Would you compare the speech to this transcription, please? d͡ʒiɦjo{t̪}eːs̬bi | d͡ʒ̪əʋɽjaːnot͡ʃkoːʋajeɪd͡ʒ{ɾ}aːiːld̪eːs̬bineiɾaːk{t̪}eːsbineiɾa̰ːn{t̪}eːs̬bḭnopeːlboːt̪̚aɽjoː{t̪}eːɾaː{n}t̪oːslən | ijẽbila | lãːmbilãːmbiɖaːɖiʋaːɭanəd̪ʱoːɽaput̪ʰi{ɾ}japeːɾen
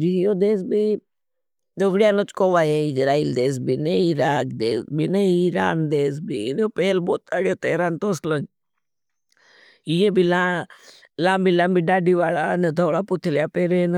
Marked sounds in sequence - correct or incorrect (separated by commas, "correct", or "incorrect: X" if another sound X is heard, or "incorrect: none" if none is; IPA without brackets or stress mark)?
incorrect: d̪, correct, incorrect: d̪, incorrect: d̪, correct, correct, incorrect: l